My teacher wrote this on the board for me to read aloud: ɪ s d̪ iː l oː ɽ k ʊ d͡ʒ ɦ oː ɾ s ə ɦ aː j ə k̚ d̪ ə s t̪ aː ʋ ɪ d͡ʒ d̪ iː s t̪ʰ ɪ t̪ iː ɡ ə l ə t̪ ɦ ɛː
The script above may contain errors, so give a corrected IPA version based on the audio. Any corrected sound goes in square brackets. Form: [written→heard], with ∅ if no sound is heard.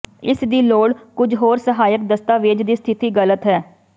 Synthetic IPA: ɪ s d̪ iː l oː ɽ k ʊ d͡ʒ ɦ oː ɾ s ə ɦ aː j ə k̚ d̪ ə s t̪ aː ʋ ɪ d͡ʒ d̪ iː s t̪ʰ ɪ t̪ iː ɡ ə l ə t̪ ɦ ɛː

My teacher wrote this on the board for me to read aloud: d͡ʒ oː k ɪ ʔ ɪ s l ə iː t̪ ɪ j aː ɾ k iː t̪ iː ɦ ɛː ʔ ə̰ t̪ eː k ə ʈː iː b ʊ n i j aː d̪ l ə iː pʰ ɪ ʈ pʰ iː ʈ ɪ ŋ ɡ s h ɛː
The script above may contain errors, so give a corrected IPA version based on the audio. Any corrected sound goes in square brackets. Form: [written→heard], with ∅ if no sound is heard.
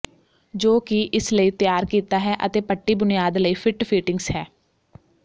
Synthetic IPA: d͡ʒ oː k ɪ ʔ ɪ s l ə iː t̪ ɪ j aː ɾ k iː t̪ [iː→aː] ɦ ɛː ʔ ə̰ t̪ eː [k→p] ə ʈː iː b ʊ n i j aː d̪ l ə iː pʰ ɪ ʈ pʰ iː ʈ ɪ ŋ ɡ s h ɛː

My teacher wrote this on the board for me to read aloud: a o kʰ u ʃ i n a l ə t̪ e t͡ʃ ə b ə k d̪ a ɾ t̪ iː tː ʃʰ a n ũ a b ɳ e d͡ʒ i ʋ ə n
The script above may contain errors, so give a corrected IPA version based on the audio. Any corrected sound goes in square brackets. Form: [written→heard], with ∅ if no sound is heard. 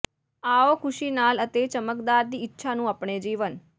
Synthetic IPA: a o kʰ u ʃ i n a l ə t̪ e t͡ʃ ə [b→m] ə k d̪ a ɾ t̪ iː tː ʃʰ a n ũ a [b→p] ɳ e d͡ʒ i ʋ ə n

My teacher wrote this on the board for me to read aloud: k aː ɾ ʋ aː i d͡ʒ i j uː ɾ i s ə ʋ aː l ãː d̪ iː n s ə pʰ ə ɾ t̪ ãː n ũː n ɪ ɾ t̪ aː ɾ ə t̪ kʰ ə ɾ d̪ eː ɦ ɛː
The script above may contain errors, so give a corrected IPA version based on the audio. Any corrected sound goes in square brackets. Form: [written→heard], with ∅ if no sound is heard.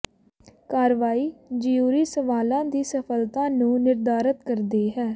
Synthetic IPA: k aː ɾ ʋ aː [i→iː] d͡ʒ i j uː ɾ [i→iː] s ə ʋ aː l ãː d̪ iː [n→∅] s ə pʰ ə [ɾ→l] t̪ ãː n ũː n ɪ ɾ [t̪→d̪] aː ɾ ə t̪ [kʰ→k] ə ɾ d̪ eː ɦ ɛː

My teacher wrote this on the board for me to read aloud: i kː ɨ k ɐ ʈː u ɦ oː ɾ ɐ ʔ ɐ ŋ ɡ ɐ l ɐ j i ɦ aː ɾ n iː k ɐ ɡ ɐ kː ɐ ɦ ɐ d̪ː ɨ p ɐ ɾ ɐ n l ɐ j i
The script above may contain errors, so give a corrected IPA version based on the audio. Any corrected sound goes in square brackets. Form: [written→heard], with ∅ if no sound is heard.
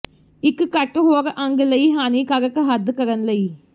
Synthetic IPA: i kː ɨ k ɐ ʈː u ɦ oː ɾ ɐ ʔ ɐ ŋ ɡ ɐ l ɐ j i ɦ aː [ɾ→∅] n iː k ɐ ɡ ɐ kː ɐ ɦ ɐ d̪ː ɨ [p→k] ɐ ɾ ɐ n l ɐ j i

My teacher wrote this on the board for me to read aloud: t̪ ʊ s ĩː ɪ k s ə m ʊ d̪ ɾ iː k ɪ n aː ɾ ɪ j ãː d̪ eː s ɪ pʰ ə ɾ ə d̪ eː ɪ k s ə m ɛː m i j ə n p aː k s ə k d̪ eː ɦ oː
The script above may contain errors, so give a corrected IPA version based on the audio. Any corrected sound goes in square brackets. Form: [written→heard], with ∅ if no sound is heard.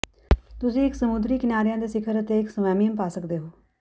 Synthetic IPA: t̪ ʊ s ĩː ɪ k s ə m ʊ d̪ ɾ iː k ɪ n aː ɾ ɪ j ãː d̪ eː s ɪ [pʰ→kʰ] ə ɾ ə [d̪→t̪] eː ɪ k s ə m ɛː m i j ə [n→m] p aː [k→∅] s ə k d̪ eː ɦ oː

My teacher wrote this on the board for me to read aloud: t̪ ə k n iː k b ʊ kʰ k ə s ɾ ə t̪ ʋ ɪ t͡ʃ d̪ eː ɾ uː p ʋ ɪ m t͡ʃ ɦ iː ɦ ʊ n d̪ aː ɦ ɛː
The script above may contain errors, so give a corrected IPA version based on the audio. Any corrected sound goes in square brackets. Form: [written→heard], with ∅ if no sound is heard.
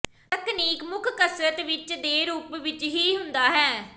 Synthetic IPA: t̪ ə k n iː k [b→m] ʊ kʰ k ə s ɾ ə t̪ ʋ ɪ t͡ʃ d̪ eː ɾ uː p ʋ ɪ [m→∅] t͡ʃ ɦ iː ɦ ʊ n d̪ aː ɦ ɛː

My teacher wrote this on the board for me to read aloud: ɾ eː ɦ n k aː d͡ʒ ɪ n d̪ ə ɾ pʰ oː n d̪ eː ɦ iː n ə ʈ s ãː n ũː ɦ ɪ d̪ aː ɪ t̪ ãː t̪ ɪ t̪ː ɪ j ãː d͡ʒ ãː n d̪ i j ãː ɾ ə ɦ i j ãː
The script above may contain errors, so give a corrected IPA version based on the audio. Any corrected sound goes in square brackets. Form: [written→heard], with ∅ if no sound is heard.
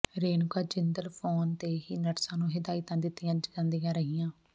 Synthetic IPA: ɾ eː [ɦ→∅] n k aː d͡ʒ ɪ n d̪ ə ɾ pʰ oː n [d̪→t̪] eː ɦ iː n ə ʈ s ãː n ũː ɦ ɪ d̪ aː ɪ t̪ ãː [t̪→d̪] ɪ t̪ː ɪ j ãː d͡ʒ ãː n d̪ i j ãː ɾ ə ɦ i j ãː

